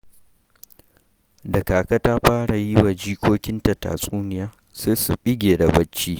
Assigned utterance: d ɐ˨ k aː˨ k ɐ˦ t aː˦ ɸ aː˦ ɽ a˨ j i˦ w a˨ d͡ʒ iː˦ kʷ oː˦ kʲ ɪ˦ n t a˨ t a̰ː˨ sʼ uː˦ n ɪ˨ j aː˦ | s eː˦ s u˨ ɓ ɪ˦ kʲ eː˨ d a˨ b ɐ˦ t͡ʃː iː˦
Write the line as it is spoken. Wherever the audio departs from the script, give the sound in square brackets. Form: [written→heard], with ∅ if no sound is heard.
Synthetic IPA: d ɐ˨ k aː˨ k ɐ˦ t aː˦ ɸ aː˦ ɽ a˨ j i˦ w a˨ d͡ʒ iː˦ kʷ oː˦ kʲ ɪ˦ n t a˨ t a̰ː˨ sʼ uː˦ n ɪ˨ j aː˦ | s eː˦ s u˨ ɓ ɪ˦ [kʲ→ɡʲ] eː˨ d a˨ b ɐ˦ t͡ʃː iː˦